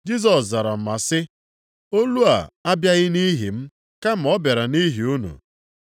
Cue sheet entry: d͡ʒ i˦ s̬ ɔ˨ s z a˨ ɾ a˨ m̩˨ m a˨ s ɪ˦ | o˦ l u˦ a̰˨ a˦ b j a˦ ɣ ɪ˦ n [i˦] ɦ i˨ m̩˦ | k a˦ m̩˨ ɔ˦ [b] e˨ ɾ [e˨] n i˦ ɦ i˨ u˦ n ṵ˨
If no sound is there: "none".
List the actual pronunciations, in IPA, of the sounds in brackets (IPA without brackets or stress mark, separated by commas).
i˦, b, a˨